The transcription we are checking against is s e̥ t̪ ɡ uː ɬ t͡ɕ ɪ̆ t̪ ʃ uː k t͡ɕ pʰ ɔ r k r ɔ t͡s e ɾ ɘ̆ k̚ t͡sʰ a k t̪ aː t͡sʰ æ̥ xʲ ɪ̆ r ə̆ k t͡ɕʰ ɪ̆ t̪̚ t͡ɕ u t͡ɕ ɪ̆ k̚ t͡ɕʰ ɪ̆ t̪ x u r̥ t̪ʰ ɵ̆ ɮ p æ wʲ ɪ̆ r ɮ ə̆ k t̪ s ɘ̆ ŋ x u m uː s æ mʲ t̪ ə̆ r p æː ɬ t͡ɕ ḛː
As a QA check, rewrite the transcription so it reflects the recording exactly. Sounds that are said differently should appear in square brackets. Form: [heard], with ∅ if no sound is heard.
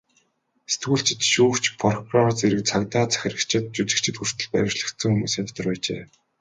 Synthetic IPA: s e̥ t̪ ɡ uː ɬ t͡ɕ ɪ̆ t̪ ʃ uː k t͡ɕ pʰ ɔ r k r ɔ t͡s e ɾ ɘ̆ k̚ t͡sʰ a k t̪ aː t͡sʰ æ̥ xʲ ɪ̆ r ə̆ k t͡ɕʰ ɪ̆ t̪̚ t͡ɕ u t͡ɕ ɪ̆ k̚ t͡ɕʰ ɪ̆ t̪ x u r̥ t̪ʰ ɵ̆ ɮ p æ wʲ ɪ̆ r ɮ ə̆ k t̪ s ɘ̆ ŋ x u m uː s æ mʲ t̪ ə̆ r p æː [∅] t͡ɕ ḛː

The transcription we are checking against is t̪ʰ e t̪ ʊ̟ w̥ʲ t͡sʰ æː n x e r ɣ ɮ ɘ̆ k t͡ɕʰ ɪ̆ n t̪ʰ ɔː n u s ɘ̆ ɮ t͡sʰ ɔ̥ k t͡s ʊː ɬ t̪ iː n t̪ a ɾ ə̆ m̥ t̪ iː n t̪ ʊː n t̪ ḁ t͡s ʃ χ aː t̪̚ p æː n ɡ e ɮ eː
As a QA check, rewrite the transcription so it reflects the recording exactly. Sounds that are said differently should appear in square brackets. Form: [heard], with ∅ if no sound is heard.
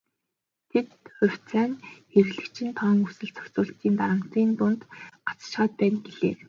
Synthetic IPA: t̪ʰ e t̪ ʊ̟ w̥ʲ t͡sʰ æː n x e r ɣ ɮ ɘ̆ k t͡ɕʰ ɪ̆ n t̪ʰ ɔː [ŋ] u s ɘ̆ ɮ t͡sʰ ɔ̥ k t͡s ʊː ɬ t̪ iː n t̪ a ɾ ə̆ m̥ t̪ iː n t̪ [ʊ] n t̪ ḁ t͡s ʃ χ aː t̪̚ p æː n ɡ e ɮ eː

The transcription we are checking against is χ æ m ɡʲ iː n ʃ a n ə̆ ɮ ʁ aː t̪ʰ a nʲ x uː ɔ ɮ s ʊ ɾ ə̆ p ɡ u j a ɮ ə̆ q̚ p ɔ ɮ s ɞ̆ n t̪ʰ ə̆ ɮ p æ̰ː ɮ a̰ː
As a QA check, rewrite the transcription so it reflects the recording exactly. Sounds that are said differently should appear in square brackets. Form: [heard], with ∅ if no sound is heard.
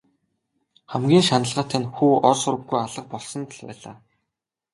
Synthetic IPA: χ æ m ɡʲ iː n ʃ a n ə̆ ɮ ʁ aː t̪ʰ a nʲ x uː ɔ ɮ s ʊ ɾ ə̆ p ɡ u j a ɮ ə̆ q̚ p ɔ ɮ s ɞ̆ n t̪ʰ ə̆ ɮ p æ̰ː ɮ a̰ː

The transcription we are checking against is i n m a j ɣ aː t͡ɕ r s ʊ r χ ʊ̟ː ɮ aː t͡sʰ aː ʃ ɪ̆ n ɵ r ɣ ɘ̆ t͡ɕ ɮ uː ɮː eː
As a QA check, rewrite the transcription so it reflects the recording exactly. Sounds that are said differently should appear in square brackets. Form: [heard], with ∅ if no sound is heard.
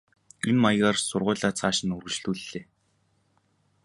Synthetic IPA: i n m a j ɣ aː [∅] r s ʊ r [ʁ] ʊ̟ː ɮ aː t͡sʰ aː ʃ ɪ̆ n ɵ r ɣ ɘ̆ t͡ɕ ɮ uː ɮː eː

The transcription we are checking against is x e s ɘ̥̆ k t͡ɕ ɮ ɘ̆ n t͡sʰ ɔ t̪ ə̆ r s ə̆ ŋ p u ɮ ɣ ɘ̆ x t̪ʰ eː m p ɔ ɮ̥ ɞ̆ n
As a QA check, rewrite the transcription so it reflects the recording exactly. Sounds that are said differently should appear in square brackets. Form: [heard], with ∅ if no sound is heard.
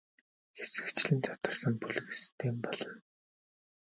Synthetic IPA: x e s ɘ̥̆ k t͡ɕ ɮ ɘ̆ n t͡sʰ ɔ t̪ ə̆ r s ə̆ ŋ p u ɮ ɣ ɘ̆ [s] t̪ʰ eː m p ɔ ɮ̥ ɞ̆ n

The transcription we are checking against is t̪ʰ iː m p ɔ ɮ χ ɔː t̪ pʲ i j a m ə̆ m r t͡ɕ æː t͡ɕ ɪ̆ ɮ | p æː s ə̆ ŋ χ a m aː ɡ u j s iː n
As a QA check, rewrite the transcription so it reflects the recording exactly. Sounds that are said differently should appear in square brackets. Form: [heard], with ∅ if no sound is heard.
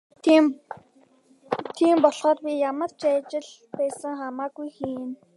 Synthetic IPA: t̪ʰ iː m p ɔ ɮ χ ɔː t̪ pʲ i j a m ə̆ [∅] r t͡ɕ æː t͡ɕ ɪ̆ ɮ | p æː s ə̆ ŋ χ a m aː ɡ u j [x] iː n

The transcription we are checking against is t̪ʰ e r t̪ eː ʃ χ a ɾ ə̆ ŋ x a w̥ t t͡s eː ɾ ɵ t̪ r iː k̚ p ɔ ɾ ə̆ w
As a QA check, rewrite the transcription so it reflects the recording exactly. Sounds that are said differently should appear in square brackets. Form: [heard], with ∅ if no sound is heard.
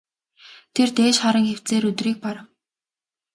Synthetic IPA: t̪ʰ e r t̪ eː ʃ χ a ɾ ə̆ ŋ x [e] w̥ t t͡s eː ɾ ɵ t̪ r iː k̚ p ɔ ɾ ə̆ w

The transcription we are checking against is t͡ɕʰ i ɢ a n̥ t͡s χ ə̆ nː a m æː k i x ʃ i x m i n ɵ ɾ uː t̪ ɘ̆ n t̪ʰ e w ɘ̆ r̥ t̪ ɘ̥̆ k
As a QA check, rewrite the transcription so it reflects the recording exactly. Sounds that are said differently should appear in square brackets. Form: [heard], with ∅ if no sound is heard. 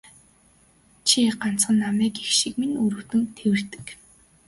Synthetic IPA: t͡ɕʰ i ɢ a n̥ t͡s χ ə̆ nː a m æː k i x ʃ i [k] m i n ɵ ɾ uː t̪ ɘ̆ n t̪ʰ e w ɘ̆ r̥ t̪ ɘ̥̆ k

